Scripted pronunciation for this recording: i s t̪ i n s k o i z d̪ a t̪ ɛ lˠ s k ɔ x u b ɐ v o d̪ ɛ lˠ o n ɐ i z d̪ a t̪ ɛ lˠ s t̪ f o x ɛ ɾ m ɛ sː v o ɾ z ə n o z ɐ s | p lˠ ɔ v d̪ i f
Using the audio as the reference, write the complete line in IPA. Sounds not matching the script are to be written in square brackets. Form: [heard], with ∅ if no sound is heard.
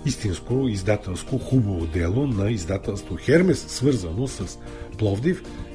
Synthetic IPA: i s t̪ i n s k o i z d̪ a t̪ ɛ lˠ s k [o] x u b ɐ v o d̪ ɛ lˠ o n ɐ i z d̪ a t̪ ɛ lˠ s t̪ [v] o x ɛ ɾ m ɛ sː v [ɤ] ɾ z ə n o [s] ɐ s | p lˠ ɔ v d̪ i f